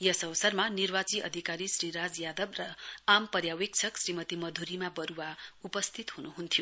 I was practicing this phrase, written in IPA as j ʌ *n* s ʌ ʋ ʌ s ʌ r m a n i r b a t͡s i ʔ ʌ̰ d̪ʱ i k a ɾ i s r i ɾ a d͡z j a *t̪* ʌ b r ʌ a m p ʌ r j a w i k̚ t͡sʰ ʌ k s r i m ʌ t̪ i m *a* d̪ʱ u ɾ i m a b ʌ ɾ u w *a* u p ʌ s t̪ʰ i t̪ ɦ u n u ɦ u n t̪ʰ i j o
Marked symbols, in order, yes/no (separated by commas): no, no, no, yes